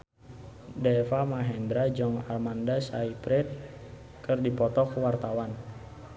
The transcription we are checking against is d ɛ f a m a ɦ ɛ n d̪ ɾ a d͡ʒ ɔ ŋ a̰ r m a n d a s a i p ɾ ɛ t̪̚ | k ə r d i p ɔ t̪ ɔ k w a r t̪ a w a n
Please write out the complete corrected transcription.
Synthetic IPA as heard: d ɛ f a m a ɦ ɛ n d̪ ɾ a d͡ʒ ɔ ŋ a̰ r m a n d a s a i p ɾ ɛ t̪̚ | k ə r d i p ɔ t̪ ɔ k w a r t̪ a w a n